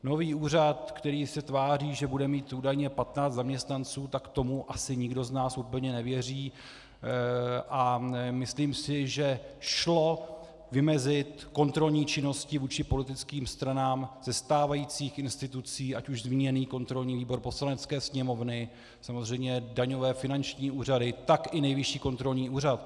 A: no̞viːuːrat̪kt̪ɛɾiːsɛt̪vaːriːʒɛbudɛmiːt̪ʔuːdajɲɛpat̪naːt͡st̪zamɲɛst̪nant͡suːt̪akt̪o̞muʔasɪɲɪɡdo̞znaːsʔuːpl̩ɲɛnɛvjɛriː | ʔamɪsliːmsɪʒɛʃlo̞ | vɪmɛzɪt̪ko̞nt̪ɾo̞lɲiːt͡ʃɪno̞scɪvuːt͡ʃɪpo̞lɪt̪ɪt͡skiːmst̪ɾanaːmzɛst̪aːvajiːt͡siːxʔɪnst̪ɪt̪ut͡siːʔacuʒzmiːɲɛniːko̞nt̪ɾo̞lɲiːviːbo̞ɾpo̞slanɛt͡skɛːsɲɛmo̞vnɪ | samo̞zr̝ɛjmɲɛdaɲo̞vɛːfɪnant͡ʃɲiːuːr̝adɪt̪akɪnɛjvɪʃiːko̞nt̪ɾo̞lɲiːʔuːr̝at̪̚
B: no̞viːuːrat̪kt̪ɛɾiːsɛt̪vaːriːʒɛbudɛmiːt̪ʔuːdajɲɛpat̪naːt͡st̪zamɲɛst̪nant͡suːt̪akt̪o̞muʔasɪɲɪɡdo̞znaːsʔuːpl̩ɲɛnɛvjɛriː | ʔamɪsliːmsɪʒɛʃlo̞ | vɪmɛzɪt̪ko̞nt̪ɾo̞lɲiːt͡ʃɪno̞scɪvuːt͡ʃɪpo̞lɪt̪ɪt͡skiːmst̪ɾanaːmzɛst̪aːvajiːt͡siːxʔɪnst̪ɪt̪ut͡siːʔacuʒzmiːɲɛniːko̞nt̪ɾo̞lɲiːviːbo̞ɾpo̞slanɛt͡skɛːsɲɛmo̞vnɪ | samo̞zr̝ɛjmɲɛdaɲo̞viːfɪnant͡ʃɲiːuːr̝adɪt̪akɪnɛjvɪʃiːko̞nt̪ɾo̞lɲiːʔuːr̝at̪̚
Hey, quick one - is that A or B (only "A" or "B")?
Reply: A